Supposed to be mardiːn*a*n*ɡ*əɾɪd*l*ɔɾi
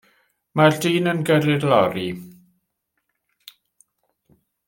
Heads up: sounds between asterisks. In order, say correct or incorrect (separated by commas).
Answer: incorrect, correct, correct